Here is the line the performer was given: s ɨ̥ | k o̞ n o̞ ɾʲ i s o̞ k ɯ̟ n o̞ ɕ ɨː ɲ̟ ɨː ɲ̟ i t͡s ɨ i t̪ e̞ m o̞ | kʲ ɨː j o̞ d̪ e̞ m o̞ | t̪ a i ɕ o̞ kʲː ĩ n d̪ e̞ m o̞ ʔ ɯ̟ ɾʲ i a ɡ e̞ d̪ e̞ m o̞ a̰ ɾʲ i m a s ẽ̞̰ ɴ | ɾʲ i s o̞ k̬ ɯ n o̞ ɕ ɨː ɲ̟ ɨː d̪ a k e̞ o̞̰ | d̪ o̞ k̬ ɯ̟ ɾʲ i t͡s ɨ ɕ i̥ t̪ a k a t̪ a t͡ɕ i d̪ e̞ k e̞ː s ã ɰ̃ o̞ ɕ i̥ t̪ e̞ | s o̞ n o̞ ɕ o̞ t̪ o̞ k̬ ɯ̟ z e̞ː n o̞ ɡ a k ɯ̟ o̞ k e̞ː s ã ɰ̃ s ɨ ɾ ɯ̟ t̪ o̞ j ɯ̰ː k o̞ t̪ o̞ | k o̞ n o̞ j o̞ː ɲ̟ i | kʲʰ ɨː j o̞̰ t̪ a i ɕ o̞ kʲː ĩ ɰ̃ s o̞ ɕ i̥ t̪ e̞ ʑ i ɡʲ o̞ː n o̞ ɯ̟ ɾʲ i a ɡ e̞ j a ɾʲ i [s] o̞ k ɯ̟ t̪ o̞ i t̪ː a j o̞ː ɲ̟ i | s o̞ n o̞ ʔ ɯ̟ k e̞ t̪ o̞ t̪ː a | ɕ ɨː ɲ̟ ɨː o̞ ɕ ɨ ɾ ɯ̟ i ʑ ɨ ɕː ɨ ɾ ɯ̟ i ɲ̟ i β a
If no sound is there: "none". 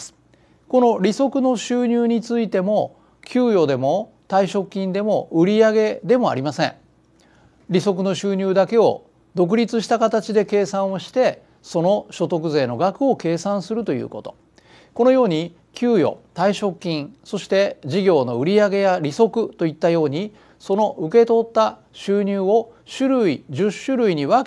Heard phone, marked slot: s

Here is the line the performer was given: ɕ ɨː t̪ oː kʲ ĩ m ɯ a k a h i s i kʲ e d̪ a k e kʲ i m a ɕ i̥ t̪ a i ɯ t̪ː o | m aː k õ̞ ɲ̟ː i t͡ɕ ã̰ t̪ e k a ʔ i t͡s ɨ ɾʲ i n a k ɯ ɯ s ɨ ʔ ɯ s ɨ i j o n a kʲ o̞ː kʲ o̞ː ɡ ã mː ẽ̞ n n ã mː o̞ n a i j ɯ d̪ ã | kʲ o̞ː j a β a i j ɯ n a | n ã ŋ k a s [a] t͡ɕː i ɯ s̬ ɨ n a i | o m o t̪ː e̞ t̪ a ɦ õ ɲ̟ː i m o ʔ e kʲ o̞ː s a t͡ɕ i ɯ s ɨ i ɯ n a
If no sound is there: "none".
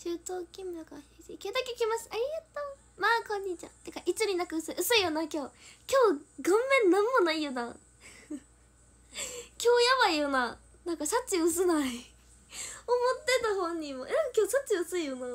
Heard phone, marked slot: a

